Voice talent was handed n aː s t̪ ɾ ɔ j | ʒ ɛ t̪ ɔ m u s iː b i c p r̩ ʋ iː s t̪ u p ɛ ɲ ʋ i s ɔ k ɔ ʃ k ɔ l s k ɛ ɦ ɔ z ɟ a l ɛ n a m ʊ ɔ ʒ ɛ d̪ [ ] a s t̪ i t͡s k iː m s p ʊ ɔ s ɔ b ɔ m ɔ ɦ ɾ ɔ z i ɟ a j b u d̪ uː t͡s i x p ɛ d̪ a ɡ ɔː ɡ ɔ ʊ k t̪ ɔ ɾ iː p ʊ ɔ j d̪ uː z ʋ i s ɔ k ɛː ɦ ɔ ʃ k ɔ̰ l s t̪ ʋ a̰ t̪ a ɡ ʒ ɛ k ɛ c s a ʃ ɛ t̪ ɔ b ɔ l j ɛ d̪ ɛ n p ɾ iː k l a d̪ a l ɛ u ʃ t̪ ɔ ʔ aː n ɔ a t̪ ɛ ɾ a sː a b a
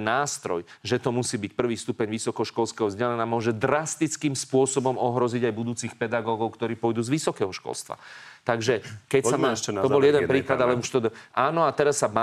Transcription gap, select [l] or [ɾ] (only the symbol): ɾ